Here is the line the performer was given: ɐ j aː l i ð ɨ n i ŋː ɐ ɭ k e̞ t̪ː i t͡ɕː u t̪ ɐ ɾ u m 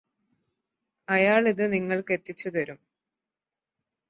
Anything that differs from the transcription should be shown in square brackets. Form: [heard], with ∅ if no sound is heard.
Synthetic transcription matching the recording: ɐ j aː [ɭ] i ð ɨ n i ŋː ɐ ɭ k e̞ t̪ː i t͡ɕː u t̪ ɐ ɾ u m